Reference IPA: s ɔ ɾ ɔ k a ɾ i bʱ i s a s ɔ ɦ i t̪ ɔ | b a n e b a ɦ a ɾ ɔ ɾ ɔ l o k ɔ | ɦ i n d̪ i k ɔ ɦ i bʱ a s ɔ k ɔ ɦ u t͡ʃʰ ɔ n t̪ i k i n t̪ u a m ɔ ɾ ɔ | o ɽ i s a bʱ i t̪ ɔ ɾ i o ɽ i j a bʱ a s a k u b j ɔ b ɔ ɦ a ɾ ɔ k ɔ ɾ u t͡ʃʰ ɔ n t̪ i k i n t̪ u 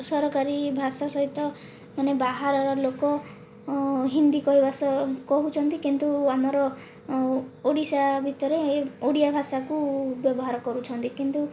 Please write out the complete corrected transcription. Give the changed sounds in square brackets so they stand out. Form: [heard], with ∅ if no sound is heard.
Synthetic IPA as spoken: s ɔ ɾ ɔ k a ɾ i bʱ [a] s a s ɔ ɦ i t̪ ɔ | [m] a n e b a ɦ a ɾ ɔ ɾ ɔ l o k ɔ | ɦ i n d̪ i k ɔ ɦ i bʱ a s ɔ k ɔ ɦ u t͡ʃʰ ɔ n t̪ i k i n t̪ u a m ɔ ɾ ɔ | o ɽ i s a bʱ i t̪ ɔ ɾ [e] o ɽ i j a bʱ a s a k u b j ɔ b ɔ ɦ a ɾ ɔ k ɔ ɾ u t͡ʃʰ ɔ n t̪ i k i n t̪ u